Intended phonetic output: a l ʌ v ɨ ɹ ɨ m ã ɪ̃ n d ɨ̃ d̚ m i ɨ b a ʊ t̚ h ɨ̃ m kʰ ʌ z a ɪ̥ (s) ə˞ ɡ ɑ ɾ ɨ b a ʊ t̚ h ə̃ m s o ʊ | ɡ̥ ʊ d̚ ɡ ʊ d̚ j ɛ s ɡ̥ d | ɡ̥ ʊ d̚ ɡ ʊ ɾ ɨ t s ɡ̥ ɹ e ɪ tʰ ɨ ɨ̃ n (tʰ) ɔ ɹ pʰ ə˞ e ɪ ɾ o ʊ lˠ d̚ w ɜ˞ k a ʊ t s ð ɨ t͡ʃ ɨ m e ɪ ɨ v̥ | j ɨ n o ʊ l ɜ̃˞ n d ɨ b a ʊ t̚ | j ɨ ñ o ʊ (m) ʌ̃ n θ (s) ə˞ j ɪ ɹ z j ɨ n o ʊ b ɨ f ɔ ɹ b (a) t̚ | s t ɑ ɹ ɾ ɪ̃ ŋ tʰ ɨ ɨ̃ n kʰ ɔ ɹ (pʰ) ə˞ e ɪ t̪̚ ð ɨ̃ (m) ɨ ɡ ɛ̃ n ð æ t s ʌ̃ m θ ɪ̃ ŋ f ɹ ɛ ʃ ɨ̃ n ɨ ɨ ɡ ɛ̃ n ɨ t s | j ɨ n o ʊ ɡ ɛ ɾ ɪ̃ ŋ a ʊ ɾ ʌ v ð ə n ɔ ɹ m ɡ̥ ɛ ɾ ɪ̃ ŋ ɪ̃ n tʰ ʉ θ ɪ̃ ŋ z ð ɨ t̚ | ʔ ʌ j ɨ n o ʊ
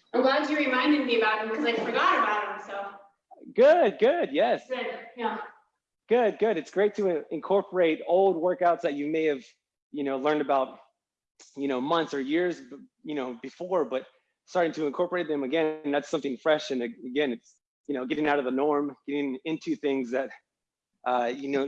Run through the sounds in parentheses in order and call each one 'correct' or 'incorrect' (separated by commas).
incorrect, incorrect, correct, correct, incorrect, incorrect, correct